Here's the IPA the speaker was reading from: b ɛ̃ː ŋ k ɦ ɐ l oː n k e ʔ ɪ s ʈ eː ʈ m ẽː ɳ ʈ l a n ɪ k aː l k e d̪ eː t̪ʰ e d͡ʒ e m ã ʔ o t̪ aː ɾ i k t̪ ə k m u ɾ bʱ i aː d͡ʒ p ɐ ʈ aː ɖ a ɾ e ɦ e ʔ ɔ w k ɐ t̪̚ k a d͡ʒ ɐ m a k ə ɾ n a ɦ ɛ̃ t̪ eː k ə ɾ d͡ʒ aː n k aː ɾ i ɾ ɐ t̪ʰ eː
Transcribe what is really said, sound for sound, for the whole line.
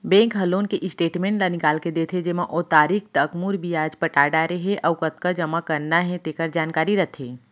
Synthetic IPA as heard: b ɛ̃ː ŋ k ɦ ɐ l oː n k e ʔ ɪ s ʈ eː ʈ m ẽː ɳ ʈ l a n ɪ k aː l k e d̪ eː t̪ʰ e d͡ʒ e m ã ʔ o t̪ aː ɾ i k t̪ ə k m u ɾ bʱ i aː d͡ʒ p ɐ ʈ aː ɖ a ɾ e ɦ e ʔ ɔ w k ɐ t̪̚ k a d͡ʒ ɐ m a k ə ɾ n a ɦ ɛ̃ t̪ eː k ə ɾ d͡ʒ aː n k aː ɾ i ɾ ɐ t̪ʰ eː